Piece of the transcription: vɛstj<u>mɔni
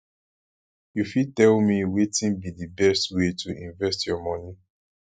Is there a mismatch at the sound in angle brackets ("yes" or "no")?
yes